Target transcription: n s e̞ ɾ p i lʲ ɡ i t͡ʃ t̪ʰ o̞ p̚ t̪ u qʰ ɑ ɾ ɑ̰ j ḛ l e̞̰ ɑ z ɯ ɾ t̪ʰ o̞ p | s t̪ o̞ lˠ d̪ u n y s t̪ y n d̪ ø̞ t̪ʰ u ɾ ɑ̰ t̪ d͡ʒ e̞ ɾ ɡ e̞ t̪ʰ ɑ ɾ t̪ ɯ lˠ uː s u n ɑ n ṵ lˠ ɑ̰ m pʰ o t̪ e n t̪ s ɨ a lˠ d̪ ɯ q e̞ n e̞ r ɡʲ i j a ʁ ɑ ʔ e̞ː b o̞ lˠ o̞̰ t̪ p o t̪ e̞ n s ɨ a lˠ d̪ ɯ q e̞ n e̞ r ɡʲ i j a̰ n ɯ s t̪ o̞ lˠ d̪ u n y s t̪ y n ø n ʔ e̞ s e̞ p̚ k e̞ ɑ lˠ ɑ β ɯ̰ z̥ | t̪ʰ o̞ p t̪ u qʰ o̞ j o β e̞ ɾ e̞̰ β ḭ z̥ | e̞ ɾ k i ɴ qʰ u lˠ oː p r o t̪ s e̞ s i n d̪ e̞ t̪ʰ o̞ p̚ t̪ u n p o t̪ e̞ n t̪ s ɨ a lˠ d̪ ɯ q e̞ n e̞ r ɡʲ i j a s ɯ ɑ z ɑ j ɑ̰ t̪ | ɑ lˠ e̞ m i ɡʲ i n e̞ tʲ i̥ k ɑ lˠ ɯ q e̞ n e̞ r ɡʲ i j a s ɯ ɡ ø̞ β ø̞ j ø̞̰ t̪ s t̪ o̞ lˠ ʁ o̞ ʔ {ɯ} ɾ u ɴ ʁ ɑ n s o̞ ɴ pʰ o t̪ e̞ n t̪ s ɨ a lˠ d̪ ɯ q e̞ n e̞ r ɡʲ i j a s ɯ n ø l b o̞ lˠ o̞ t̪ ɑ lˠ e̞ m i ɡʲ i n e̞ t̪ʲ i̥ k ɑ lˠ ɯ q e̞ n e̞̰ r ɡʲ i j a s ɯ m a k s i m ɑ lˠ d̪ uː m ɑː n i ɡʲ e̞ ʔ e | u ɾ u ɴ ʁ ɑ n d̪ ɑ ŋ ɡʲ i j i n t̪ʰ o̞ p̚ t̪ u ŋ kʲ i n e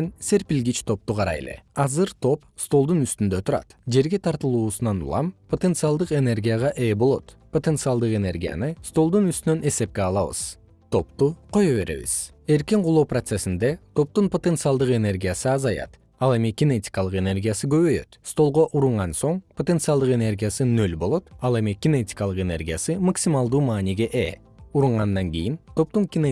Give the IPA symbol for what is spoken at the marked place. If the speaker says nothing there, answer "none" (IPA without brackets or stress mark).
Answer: u